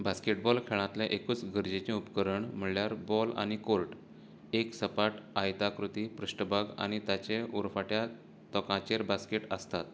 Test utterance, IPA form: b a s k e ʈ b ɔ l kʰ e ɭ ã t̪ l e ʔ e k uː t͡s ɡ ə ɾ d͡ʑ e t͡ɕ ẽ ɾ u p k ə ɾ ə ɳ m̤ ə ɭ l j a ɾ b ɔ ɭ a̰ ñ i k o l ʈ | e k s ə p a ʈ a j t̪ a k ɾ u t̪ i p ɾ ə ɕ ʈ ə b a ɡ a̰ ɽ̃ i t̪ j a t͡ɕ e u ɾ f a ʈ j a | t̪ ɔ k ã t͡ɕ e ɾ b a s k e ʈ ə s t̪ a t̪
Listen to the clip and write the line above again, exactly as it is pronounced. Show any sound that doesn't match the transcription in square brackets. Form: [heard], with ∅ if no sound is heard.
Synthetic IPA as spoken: b a s k e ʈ b ɔ l kʰ e ɭ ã t̪ l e ʔ e k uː t͡s ɡ ə ɾ d͡ʑ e t͡ɕ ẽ [∅] u p k ə ɾ ə ɳ m̤ ə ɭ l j a ɾ b ɔ [l] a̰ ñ i k o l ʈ | e k s ə p a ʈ a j t̪ a k ɾ u t̪ i p ɾ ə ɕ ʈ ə b a ɡ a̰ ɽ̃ i t̪ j a t͡ɕ e u ɾ f a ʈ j a | t̪ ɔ k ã t͡ɕ e ɾ b a s k e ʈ ə s t̪ a t̪